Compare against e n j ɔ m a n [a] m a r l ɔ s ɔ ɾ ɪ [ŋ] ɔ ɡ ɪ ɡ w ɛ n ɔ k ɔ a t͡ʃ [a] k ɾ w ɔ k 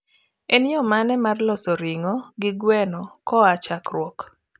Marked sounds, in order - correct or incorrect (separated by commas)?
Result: incorrect, correct, correct